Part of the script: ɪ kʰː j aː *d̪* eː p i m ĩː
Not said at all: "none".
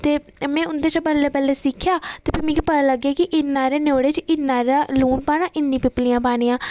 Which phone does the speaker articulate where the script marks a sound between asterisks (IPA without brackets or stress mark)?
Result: t̪